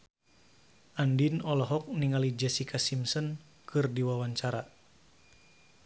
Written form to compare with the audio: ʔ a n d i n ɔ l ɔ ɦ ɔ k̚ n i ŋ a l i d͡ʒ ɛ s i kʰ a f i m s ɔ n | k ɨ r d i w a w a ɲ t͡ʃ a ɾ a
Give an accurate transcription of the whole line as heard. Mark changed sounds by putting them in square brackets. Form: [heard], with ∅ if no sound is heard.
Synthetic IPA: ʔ a n d i n ɔ l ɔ ɦ ɔ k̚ n i ŋ a l i d͡ʒ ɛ s i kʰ a [s] i m s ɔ n | k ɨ r d i w a w a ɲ t͡ʃ a ɾ a